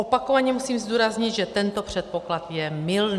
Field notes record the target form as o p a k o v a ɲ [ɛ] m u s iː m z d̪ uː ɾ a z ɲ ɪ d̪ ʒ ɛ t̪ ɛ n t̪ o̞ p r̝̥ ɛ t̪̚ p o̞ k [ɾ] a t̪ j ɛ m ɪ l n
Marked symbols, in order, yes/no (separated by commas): yes, no